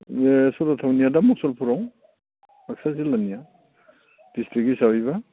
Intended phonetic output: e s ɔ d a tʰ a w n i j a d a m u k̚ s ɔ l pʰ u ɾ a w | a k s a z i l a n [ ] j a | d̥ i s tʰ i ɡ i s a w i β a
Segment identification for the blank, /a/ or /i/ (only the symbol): i